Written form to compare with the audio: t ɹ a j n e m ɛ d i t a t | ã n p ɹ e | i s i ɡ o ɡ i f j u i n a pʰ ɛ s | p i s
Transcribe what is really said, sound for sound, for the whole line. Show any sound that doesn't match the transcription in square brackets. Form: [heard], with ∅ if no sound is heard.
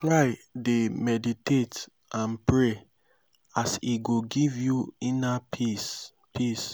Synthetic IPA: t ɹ a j [d] e m ɛ d i t [e] t | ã n p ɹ e | [a] s i ɡ o ɡ i [v] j u i n a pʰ [i] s | p i s